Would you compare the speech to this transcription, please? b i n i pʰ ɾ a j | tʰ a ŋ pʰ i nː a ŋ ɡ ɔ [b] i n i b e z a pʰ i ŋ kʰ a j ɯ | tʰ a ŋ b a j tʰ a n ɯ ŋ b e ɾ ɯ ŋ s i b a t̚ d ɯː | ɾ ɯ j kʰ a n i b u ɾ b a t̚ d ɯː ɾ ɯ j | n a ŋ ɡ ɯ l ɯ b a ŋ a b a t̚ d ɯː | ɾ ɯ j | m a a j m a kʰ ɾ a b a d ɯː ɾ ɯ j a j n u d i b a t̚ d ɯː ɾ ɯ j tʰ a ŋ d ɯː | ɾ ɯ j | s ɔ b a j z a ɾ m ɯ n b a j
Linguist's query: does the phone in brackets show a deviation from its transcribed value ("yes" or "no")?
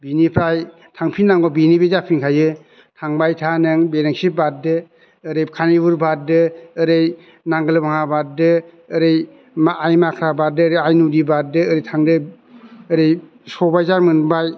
no